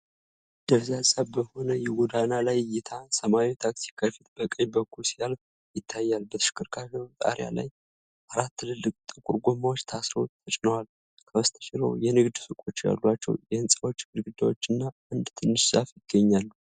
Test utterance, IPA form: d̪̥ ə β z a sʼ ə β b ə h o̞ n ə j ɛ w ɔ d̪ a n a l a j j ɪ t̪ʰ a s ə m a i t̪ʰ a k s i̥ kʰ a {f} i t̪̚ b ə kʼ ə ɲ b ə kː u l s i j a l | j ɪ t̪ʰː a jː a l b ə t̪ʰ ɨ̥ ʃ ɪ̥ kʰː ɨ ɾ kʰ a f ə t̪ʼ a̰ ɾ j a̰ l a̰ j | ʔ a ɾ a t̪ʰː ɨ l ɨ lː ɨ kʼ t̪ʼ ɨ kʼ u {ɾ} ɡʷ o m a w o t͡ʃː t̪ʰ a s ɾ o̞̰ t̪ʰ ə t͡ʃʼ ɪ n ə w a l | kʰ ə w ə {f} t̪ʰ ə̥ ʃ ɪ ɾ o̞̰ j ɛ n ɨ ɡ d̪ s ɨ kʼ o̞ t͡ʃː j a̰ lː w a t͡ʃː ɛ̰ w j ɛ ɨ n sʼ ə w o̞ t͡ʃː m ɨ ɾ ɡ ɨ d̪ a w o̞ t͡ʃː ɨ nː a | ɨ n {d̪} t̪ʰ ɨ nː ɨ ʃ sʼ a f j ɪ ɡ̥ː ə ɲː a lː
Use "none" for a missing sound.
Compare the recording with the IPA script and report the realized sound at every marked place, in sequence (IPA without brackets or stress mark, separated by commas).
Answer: f, ɾ, s, d̪